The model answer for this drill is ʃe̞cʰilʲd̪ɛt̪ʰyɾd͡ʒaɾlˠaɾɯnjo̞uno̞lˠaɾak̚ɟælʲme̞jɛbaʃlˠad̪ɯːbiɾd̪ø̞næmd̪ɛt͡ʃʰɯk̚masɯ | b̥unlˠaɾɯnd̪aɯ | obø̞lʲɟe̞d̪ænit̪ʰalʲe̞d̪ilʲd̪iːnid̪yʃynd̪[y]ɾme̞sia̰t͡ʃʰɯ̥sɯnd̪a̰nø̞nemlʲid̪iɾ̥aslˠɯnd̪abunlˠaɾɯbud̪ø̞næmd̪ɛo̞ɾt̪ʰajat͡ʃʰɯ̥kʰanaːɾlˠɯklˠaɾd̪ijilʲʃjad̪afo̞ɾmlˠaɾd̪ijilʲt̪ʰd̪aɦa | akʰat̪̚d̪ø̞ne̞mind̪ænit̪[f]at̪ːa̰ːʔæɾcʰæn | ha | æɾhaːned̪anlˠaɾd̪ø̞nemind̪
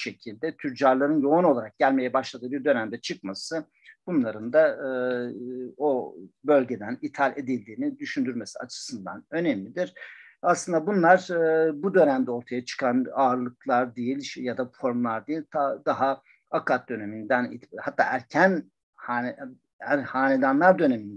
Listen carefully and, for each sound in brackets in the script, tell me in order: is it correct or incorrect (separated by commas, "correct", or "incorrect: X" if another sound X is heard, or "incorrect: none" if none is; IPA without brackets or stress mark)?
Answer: correct, incorrect: h